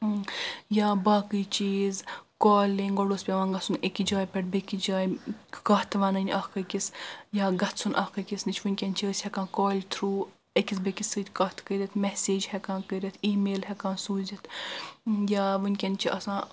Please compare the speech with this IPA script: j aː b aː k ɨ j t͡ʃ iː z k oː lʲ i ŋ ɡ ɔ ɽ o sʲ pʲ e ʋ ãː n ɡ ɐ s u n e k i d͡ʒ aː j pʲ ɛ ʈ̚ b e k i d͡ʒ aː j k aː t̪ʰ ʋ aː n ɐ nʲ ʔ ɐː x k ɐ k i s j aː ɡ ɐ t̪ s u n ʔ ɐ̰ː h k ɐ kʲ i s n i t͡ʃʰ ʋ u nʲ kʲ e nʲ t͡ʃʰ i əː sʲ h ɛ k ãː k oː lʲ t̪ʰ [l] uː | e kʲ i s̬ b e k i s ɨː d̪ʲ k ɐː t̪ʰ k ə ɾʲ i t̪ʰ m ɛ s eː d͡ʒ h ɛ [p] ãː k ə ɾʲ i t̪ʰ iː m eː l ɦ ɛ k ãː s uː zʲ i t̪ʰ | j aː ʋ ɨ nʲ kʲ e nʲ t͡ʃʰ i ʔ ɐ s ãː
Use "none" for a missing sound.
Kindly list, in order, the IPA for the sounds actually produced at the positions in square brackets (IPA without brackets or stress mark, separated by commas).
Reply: ɾ, k